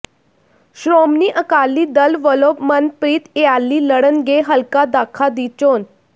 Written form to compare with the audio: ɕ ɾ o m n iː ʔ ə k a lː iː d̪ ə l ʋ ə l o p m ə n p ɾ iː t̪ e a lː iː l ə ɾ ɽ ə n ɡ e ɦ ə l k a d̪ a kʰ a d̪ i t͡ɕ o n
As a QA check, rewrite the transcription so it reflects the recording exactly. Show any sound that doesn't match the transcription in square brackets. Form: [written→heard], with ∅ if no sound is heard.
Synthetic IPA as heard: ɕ ɾ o m n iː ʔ ə k a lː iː d̪ ə l ʋ ə l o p m ə n p ɾ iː t̪ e a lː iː l ə [ɾ→∅] ɽ ə n ɡ e ɦ ə l k a d̪ a kʰ a d̪ i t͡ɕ o n